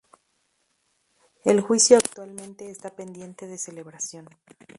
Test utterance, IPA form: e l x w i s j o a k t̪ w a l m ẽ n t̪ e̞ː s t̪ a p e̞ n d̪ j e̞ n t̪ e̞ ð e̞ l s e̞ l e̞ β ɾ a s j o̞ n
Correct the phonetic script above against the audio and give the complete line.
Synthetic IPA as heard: e l x w i s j o a k t̪ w a l m ẽ n t̪ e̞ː s t̪ a p e̞ n d̪ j e̞ n t̪ e̞ ð e̞ s e̞ l e̞ β ɾ a s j o̞ n